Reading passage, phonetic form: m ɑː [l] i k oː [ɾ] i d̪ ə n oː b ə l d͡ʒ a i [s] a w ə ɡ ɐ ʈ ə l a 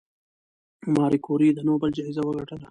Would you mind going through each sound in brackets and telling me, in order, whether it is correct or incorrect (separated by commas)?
incorrect, correct, incorrect